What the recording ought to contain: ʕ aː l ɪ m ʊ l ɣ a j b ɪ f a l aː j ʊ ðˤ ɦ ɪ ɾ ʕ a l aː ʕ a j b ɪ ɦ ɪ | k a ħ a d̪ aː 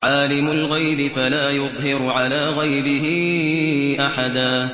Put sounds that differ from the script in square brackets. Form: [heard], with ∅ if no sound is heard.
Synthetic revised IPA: ʕ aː l ɪ m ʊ l ɣ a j b ɪ f a l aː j ʊ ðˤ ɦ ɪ ɾ ʕ a l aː [ɣ] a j b ɪ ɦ ɪ | [ʔ] a ħ a d̪ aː